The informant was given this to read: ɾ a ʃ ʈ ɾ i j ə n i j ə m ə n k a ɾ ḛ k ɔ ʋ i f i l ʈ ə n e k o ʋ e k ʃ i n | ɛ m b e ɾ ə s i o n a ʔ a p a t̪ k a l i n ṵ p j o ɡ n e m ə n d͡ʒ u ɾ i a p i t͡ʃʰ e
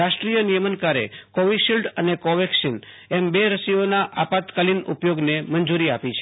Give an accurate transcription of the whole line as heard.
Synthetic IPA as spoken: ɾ a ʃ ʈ ɾ i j ə n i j ə m ə n k a ɾ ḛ k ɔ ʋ i ʃ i l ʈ ə n e k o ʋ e k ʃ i n | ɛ m b e ɾ ə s i o n a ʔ a p a t̪ k a l i n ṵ p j o ɡ n e m ə n d͡ʒ u ɾ i a p i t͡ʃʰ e

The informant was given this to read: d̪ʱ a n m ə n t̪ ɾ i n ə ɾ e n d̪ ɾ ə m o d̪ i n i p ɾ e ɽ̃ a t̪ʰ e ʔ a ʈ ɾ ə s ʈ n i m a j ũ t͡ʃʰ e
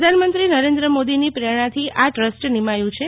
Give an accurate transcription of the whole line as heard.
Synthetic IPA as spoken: d̪ʱ a n m ə n t̪ ɾ i n ə ɾ e n d̪ ɾ ə m o d̪ i n i p ɾ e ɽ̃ a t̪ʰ i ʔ a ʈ ɾ ə s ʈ n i m a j ũ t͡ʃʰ e

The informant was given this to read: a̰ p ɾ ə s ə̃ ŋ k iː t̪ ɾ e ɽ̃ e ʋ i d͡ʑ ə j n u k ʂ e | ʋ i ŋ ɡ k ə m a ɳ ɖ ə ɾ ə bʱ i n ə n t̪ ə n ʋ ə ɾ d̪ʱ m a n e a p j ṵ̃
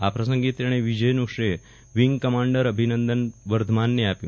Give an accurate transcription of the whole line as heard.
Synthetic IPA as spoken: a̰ p ɾ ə s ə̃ ŋ ɡ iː t̪ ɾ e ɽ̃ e ʋ i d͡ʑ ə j n u k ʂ e | ʋ i ŋ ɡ k ə m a ɳ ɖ ə ɾ ə bʱ i n ə n d̪ ə n ʋ ə ɾ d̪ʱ m a nː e a p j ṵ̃

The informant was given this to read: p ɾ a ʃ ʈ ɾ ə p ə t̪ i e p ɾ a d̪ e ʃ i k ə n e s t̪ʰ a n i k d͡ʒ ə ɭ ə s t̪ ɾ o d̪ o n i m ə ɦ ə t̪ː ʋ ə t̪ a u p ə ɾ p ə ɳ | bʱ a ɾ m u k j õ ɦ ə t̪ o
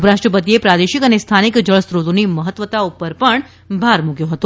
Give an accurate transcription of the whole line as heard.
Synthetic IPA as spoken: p ɾ a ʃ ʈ ɾ ə p ə t̪ i e p ɾ a d̪ e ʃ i k ə n e s t̪ʰ a n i k d͡ʒ ə ɭ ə s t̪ ɾ o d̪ o n i m ə ɦ ə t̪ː ʋ ə t̪ a u p ə ɾ p ə ɳ | bʱ a ɾ m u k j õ ɦ ə t̪ o

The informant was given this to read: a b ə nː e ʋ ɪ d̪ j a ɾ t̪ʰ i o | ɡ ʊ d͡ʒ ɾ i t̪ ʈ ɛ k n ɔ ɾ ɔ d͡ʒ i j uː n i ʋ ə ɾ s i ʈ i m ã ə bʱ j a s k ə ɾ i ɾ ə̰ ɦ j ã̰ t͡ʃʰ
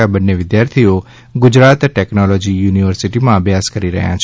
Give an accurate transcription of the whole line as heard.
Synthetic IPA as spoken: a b ə nː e ʋ ɪ d̪ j a ɾ t̪ʰ i o | ɡ ʊ d͡ʒ ɾ a t̪ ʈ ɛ k n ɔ l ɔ d͡ʒ i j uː n i ʋ ə ɾ s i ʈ i m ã ə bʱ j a s k ə ɾ i ɾ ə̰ ɦ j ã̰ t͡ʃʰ

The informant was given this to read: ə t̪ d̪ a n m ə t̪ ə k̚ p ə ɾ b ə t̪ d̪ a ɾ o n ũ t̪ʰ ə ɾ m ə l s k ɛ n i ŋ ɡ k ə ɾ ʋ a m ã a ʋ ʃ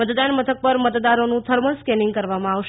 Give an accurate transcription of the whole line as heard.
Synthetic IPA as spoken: ə t̪ d̪ a n m ə t̪ʰ ə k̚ p ə ɾ m ə t̪ d̪ a ɾ o n ũ t̪ʰ ə ɾ m ə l s k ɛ n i ŋ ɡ k ə ɾ ʋ a m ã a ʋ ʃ

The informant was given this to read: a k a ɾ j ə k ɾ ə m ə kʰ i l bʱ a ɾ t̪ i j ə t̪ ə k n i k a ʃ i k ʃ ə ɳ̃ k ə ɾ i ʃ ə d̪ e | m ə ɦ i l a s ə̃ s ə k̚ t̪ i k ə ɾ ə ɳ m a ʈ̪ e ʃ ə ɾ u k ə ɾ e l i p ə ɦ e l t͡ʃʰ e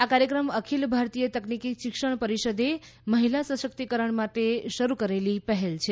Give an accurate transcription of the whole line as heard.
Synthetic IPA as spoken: a k a ɾ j ə k ɾ ə m ə kʰ i l bʱ a ɾ t̪ i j ə t̪ ə k n i k i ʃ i k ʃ ə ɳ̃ p ə ɾ i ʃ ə d̪ e | m ə ɦ i l a s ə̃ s ə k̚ t̪ i k ə ɾ ə ɳ m a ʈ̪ e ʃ ə ɾ u k ə ɾ e l i p ə ɦ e l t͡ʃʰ e

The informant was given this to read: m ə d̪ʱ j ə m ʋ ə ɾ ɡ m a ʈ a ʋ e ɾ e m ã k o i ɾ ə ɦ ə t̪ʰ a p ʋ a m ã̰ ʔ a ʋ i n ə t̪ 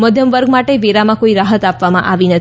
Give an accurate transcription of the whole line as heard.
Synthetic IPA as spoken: m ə d̪ʱ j ə m ʋ ə ɾ ɡ m a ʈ e ʋ e ɾ a m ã k o i ɾ a ɦ ə t̪ a p ʋ a m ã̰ ʔ a ʋ i n ə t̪

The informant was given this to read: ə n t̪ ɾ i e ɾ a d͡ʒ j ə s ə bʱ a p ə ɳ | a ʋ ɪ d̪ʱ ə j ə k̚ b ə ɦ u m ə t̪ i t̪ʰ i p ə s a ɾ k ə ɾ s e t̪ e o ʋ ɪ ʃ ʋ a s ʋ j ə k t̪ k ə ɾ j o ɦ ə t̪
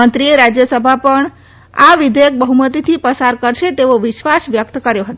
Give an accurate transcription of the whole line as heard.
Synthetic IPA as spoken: ə n t̪ ɾ i e ɾ a d͡ʒ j ə s ə bʱ a p ə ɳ | a ʋ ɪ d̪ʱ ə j ə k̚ b ə ɦ u m ə t̪ i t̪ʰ i p ə s a ɾ k ə ɾ ʃ e t̪ e o ʋ ɪ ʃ ʋ a s ʋ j ə k t̪ k ə ɾ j o ɦ ə t̪

